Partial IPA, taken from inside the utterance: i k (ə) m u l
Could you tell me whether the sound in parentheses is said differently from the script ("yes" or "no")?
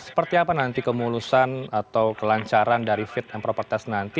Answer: no